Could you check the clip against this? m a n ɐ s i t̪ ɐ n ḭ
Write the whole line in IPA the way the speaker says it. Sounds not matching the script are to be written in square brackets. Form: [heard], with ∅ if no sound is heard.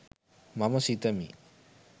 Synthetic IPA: m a [m] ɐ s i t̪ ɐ [m] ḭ